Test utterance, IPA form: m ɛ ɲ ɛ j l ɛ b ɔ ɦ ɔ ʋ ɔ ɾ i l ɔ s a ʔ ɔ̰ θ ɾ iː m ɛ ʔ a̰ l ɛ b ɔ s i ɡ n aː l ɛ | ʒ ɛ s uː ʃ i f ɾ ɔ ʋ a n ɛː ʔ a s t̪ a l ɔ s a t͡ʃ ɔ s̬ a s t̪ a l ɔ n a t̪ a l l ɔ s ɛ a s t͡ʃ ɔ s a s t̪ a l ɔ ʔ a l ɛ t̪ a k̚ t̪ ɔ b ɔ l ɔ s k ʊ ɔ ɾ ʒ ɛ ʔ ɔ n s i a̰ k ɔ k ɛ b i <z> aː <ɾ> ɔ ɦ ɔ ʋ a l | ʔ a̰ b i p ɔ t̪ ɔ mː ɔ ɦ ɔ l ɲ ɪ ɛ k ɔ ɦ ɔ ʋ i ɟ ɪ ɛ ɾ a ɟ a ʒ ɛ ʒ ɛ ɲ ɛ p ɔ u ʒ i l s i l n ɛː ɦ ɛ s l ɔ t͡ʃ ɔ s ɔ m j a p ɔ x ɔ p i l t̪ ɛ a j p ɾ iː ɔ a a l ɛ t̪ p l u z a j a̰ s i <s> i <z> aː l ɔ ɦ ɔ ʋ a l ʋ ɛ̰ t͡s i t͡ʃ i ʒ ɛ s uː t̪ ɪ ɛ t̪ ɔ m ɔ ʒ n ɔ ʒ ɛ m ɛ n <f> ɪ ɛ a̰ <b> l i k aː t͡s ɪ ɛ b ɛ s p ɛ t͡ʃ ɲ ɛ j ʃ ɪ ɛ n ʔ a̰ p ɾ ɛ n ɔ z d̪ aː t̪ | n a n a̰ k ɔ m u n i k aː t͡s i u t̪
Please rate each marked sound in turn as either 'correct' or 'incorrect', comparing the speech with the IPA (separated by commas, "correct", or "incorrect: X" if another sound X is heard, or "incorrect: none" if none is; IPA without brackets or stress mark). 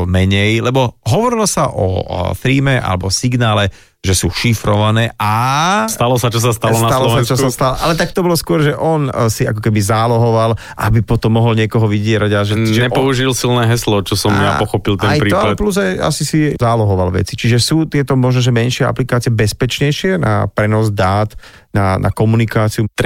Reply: correct, incorrect: l, correct, correct, incorrect: ʃ, incorrect: p